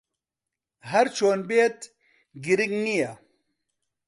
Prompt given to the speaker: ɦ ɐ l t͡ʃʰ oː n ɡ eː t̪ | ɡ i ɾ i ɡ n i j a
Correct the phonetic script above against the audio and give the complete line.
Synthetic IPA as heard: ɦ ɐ ɾ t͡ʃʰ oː n b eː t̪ | ɡ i ɾ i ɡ n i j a